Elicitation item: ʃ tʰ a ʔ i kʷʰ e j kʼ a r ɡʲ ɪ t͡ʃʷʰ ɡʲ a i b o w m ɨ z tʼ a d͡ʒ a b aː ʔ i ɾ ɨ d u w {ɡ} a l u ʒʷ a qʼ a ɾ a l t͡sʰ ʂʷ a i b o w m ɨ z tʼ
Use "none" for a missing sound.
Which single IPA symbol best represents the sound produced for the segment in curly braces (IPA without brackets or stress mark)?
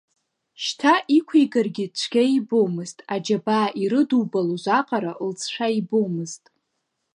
b